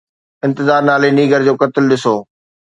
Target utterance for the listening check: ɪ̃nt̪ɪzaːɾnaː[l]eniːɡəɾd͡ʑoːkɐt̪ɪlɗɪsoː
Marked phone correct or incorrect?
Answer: correct